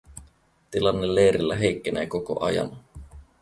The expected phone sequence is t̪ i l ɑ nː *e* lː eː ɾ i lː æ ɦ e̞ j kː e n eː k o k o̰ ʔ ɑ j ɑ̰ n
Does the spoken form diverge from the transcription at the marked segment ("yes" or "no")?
no